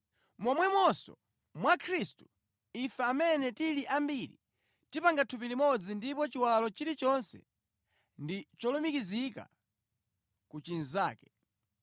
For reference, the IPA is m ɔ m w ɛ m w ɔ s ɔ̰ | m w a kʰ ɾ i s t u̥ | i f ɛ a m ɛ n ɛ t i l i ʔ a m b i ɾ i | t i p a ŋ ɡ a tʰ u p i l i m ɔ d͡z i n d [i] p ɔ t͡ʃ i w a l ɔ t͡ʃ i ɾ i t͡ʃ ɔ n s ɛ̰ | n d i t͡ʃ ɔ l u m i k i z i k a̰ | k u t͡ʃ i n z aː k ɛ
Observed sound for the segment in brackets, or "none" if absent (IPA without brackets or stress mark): i